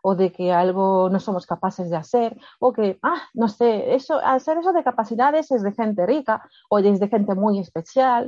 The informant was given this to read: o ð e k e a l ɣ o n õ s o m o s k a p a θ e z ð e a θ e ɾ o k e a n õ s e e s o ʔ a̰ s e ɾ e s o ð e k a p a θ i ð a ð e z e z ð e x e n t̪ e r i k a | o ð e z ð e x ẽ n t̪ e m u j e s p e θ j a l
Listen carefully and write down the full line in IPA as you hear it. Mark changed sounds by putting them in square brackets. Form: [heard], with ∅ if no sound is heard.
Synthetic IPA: o ð e k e a l ɣ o n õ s o m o s k a p a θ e z ð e a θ e ɾ o k e a n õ s e e s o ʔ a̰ s e ɾ e s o ð e k a p a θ i ð a ð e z e z ð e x e n t̪ e r i k a | o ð e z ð e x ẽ n t̪ e m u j e s p e θ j a l